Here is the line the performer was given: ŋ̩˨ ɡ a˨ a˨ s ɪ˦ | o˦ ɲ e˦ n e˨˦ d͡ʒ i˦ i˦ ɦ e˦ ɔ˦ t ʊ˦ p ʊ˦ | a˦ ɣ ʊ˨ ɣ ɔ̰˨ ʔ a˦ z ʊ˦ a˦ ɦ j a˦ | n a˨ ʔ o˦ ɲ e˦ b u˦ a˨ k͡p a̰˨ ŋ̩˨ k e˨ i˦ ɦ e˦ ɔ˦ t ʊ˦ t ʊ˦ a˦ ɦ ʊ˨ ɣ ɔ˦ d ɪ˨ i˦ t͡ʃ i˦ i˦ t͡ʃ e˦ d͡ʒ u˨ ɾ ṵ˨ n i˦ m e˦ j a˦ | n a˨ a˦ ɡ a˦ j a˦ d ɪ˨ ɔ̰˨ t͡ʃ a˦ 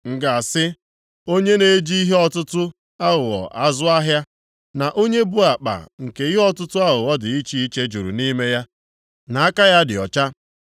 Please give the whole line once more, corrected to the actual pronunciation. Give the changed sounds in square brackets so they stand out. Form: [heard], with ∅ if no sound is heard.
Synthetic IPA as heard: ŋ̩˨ ɡ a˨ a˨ s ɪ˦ | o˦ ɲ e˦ n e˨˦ d͡ʒ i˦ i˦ ɦ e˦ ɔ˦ t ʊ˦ [t] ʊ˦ | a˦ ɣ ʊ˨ ɣ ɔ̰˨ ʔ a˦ z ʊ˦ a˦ ɦ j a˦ | n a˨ ʔ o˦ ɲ e˦ b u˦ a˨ k͡p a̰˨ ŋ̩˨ k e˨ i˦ ɦ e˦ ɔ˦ t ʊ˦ t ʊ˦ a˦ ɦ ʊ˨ ɣ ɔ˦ d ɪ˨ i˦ t͡ʃ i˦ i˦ t͡ʃ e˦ d͡ʒ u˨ ɾ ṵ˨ n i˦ m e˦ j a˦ | n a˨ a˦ [k] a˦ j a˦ d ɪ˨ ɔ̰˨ t͡ʃ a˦